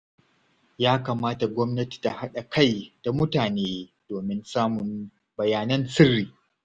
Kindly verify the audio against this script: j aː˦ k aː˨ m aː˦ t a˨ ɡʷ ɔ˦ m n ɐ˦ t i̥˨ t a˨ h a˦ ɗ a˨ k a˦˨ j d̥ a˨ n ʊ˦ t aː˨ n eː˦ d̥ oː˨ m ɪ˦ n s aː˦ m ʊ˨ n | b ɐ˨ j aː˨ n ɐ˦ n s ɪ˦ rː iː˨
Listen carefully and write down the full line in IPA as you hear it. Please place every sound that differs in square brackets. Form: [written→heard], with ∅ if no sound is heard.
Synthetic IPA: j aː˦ k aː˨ m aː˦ t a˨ ɡʷ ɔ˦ m n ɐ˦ t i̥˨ t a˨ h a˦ ɗ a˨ k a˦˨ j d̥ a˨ [n→m] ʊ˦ t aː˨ n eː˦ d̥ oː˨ m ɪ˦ n s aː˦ m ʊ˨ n | b ɐ˨ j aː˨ n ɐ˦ n s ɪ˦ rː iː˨